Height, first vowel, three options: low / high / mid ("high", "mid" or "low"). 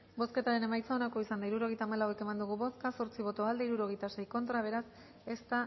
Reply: mid